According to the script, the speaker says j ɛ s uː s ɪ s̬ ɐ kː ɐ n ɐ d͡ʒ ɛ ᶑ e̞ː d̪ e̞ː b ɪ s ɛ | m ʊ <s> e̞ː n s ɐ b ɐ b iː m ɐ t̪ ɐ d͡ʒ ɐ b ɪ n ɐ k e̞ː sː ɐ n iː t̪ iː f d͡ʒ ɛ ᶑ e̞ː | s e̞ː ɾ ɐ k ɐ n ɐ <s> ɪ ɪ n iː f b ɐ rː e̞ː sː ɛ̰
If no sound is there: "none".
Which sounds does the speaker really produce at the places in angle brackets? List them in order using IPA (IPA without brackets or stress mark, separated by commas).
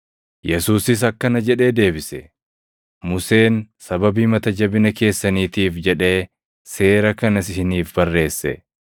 s, s